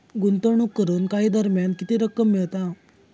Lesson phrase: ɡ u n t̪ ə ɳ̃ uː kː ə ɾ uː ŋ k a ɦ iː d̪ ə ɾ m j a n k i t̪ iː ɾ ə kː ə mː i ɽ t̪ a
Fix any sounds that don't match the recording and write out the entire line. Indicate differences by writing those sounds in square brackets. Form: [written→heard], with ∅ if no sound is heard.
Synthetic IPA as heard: ɡ u n t̪ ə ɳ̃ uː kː ə ɾ uː [ŋ→n] k a ɦ iː d̪ ə ɾ m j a n k i t̪ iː ɾ ə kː ə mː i [ɽ→ɭ] t̪ a